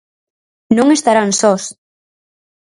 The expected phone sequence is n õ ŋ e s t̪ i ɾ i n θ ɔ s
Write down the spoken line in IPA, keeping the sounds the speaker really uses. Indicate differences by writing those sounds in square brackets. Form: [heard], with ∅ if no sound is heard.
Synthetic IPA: n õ ŋ e s t̪ [a] ɾ [a] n [s] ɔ s